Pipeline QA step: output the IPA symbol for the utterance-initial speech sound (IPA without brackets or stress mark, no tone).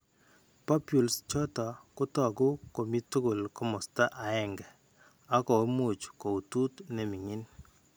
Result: p